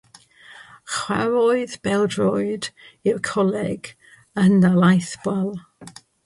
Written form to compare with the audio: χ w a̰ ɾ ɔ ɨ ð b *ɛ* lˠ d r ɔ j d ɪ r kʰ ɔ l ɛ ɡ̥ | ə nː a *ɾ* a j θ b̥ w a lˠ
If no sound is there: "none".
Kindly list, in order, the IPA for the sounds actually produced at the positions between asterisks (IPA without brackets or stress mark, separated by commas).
ɛ, l